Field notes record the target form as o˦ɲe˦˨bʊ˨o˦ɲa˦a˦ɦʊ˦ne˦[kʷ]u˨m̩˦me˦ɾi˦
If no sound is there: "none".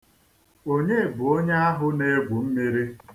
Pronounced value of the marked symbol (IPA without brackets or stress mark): ɡʷ